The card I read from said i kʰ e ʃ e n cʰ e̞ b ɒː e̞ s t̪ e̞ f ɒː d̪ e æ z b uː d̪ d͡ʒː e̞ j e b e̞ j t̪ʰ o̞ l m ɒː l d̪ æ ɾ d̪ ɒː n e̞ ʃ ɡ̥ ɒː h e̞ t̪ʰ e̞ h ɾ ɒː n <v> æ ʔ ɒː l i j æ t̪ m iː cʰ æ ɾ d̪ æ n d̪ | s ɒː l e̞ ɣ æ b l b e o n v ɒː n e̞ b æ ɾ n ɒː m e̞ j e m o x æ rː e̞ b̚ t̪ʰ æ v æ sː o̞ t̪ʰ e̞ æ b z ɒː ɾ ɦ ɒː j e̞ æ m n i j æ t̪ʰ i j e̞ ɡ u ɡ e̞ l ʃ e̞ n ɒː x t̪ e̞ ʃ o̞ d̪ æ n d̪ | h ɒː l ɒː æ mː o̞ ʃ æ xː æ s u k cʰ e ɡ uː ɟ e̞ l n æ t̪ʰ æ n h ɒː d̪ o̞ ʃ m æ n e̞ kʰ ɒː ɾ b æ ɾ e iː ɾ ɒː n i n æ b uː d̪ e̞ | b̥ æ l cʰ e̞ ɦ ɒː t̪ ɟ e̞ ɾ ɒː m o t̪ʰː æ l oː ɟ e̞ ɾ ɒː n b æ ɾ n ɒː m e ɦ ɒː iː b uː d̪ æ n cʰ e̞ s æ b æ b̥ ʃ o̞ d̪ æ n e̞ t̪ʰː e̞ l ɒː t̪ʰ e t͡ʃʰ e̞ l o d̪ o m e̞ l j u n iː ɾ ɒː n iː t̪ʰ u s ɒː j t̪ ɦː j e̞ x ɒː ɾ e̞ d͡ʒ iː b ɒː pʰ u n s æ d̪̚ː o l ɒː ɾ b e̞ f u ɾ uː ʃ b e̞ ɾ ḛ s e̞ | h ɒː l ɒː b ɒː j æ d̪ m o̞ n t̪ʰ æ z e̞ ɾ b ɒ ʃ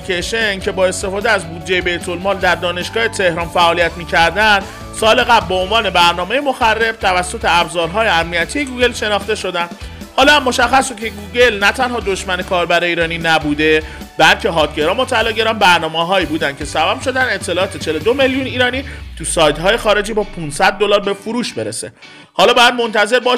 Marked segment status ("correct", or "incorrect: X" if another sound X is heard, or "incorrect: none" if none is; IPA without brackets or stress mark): incorrect: f